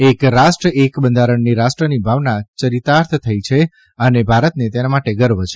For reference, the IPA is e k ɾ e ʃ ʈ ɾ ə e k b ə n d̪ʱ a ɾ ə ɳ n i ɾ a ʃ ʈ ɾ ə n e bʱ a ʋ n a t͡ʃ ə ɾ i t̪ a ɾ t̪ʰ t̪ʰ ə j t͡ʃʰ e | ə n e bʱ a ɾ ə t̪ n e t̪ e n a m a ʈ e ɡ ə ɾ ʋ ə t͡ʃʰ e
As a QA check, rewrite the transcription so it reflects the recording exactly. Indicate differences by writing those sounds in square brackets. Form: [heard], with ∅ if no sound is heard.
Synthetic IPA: e k ɾ [a] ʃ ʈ ɾ ə e k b ə n d̪ʱ a ɾ ə ɳ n i ɾ a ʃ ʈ ɾ ə n [i] bʱ a ʋ n a t͡ʃ ə ɾ i t̪ a ɾ t̪ʰ t̪ʰ ə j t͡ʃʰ e | ə n e bʱ a ɾ ə t̪ n e t̪ e n a m a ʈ e ɡ ə ɾ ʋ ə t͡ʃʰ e